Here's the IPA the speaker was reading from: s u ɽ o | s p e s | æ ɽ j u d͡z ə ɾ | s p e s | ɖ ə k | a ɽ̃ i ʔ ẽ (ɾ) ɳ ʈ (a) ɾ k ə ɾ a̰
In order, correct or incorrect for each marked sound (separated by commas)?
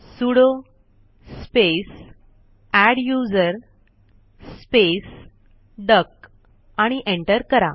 incorrect, incorrect